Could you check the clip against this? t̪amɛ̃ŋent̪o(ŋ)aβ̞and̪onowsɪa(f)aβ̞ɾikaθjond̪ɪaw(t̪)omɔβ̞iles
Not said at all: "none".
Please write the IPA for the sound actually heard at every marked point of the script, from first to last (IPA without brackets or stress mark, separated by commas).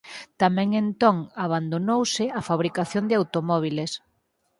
ŋ, f, t̪